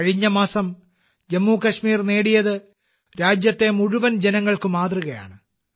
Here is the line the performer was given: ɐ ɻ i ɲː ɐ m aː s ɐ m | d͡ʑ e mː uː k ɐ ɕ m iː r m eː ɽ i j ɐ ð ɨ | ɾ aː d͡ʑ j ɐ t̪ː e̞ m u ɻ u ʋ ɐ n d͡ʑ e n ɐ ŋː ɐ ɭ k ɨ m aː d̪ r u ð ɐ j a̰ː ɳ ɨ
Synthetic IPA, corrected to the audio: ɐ ɻ i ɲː ɐ m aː s ɐ m | d͡ʑ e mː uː k ɐ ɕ m iː r n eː ɽ i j ɐ ð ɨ | ɾ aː d͡ʑ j ɐ t̪ː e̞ m u ɻ u ʋ ɐ n d͡ʑ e n ɐ ŋː ɐ ɭ k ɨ m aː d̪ r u ɣ ɐ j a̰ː ɳ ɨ